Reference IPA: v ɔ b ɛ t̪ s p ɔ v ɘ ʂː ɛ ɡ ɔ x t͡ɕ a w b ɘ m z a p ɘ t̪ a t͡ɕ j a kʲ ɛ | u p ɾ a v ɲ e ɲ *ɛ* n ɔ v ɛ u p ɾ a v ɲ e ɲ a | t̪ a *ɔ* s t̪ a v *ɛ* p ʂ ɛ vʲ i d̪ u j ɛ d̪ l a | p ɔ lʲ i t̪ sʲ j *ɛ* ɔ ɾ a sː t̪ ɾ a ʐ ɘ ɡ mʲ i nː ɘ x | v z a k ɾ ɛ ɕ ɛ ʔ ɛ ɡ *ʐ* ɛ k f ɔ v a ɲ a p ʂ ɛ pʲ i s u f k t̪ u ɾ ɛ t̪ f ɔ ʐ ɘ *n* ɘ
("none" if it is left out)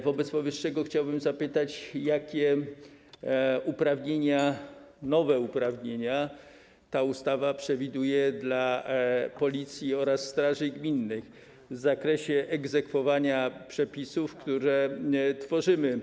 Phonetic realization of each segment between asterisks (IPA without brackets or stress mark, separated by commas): a, u, a, i, z, m